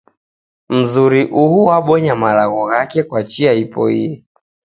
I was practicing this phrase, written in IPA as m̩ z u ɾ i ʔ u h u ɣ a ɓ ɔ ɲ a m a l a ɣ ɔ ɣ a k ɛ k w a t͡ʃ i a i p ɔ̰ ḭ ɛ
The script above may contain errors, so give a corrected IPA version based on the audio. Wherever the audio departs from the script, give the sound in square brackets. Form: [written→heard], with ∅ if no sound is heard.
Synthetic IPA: m̩ z u ɾ i ʔ u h u [ɣ→w] a ɓ ɔ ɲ a m a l a ɣ ɔ ɣ a k ɛ k w a t͡ʃ i a i p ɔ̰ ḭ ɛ